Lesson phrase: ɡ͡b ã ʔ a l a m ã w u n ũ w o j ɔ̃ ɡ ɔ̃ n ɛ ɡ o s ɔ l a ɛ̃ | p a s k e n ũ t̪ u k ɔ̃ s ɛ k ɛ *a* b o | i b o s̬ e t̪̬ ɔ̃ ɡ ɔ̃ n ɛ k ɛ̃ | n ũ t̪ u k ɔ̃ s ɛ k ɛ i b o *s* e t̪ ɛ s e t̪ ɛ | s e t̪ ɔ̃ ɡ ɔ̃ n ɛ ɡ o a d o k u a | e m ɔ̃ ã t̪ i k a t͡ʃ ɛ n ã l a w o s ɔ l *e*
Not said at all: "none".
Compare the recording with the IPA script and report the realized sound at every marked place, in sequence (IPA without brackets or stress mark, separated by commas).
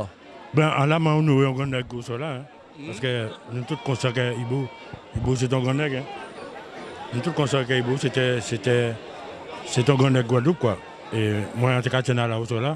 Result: i, s, a